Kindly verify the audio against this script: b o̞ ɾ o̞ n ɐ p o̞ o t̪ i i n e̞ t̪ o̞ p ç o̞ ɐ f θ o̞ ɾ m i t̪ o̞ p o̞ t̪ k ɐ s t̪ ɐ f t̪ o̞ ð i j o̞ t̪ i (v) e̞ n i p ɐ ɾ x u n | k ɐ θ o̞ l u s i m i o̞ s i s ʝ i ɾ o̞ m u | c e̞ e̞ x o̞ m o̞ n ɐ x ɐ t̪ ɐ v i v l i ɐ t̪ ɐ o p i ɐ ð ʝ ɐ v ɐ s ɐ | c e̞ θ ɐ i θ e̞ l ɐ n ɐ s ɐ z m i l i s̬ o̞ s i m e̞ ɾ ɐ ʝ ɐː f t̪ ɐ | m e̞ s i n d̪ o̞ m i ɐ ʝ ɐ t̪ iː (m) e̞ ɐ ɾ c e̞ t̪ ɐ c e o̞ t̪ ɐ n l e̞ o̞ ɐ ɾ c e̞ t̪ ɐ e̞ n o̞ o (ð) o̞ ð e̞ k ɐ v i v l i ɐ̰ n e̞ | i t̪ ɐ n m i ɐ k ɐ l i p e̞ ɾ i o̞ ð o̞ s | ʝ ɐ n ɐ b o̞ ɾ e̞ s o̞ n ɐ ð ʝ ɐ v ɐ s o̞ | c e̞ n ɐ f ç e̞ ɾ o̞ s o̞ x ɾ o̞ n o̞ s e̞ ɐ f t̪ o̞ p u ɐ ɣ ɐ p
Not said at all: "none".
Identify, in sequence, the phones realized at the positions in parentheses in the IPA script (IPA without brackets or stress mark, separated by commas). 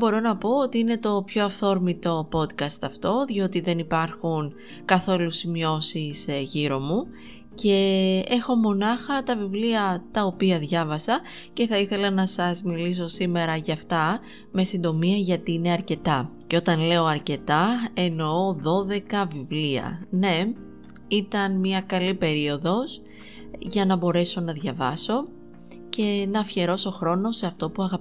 ð, n, ð